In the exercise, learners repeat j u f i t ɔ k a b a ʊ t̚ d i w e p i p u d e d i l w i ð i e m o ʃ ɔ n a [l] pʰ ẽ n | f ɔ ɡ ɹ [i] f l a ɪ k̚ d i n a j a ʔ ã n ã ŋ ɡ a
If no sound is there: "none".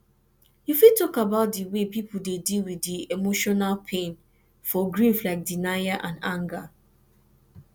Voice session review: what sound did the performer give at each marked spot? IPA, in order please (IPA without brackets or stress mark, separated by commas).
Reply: l, i